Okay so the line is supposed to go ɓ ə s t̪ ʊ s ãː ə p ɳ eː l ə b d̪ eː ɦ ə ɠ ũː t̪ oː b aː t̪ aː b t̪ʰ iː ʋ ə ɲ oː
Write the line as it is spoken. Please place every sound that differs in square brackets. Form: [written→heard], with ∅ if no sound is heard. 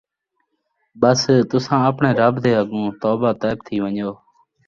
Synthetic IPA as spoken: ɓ ə s t̪ ʊ s ãː ə p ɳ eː [l→ɾ] ə b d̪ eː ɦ ə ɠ ũː t̪ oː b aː t̪ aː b t̪ʰ iː ʋ ə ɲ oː